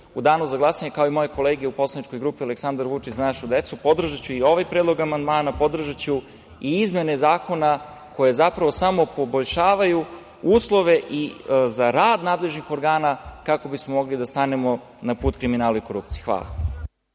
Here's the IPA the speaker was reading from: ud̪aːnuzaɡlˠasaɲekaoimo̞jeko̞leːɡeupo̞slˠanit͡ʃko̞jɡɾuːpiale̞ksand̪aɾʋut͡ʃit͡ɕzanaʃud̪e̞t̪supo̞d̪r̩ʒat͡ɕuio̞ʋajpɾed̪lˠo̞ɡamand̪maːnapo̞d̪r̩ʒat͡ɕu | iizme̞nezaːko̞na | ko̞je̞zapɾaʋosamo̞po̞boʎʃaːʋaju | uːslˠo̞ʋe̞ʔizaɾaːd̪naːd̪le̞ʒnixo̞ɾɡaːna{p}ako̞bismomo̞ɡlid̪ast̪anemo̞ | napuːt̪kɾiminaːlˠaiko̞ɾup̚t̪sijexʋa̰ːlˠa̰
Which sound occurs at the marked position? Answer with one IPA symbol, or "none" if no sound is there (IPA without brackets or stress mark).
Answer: k